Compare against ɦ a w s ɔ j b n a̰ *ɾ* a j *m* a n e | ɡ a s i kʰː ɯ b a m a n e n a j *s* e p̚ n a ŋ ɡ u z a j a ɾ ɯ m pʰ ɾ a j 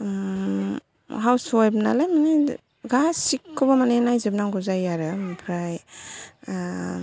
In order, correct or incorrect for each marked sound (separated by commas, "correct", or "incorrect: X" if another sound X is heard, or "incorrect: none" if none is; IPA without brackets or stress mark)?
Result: incorrect: l, correct, incorrect: z